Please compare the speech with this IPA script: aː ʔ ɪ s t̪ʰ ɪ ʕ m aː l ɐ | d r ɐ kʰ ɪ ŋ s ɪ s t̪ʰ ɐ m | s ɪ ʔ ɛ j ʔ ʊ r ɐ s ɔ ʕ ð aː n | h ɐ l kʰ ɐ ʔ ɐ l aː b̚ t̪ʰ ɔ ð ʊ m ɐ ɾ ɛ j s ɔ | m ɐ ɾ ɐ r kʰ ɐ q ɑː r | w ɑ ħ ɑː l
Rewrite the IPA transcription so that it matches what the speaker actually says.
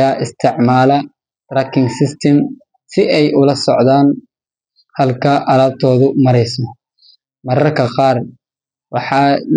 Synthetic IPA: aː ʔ ɪ s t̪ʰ ɪ ʕ m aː l ɐ | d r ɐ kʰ ɪ ŋ s ɪ s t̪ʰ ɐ m | s ɪ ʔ ɛ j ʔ ʊ l ɐ s ɔ ʕ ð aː n | h ɐ l kʰ ɐ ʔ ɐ l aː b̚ t̪ʰ ɔː ð ʊ m ɐ ɾ ɛ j s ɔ | m ɐ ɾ ɐ r kʰ ɐ q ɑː r | w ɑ ħ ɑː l